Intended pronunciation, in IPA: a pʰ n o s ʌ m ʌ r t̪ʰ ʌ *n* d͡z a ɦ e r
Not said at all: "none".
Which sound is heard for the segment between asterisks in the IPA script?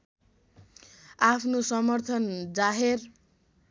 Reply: n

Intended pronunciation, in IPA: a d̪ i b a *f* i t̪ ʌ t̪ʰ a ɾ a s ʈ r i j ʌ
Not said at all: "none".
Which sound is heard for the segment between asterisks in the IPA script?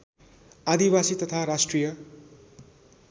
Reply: s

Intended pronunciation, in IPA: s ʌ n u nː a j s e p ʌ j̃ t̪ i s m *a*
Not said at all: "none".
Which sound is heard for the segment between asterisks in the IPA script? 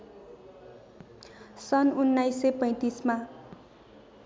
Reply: a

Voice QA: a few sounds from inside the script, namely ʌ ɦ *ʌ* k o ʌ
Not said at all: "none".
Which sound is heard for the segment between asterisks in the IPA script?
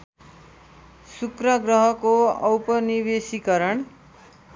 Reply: ʌ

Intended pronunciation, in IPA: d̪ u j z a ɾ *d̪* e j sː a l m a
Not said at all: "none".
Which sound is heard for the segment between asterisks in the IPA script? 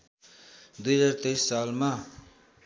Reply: t̪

